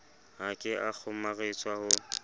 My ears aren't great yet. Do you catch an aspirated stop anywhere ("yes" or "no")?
yes